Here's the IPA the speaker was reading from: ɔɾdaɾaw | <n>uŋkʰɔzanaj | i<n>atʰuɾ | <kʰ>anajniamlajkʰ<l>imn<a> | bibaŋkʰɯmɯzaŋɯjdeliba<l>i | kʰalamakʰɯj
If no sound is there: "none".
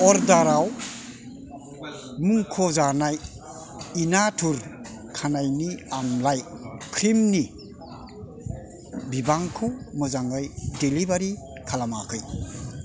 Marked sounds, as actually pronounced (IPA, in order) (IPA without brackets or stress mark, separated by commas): m, n, kʰ, ɾ, i, ɾ